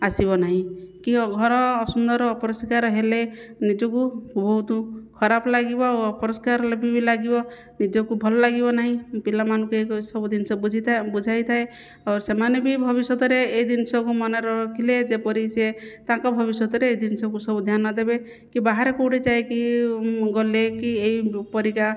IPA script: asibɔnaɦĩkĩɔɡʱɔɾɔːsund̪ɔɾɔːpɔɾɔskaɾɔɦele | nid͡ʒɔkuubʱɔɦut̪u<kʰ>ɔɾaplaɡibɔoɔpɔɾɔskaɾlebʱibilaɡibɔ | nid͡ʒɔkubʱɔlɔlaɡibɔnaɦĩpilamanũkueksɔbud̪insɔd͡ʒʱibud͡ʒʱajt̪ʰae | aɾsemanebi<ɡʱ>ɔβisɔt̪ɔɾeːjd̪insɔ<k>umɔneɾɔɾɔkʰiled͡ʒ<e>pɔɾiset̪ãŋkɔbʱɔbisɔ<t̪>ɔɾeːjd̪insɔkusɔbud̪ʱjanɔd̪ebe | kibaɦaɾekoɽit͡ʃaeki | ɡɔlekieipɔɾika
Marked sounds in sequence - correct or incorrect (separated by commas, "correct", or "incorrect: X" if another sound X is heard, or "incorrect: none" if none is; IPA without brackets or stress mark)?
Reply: correct, incorrect: bʱ, correct, correct, correct